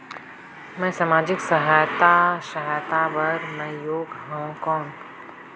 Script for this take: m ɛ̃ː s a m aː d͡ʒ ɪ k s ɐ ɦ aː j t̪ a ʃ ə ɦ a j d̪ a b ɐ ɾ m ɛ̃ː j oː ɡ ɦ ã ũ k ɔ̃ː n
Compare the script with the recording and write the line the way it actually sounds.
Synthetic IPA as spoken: m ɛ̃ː s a m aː d͡ʒ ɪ k s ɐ ɦ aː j t̪ a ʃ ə ɦ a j t̪ a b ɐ ɾ m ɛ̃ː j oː ɡ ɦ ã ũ k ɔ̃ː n